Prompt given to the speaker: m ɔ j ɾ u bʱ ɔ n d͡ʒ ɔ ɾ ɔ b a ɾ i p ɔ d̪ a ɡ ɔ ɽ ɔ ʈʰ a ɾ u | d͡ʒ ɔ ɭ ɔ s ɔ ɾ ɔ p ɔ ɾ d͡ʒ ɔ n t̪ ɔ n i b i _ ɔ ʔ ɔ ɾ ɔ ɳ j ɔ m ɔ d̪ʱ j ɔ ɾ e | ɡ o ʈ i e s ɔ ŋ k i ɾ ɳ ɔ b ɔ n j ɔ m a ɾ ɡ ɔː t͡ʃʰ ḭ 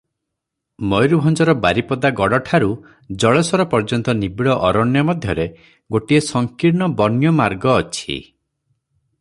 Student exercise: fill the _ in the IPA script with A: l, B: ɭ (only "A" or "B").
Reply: B